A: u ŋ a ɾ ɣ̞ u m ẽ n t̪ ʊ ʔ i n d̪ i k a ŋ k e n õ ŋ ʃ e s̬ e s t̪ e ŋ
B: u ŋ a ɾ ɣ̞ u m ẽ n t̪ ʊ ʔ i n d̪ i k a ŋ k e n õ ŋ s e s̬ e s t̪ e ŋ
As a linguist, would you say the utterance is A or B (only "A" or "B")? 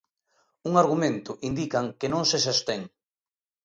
B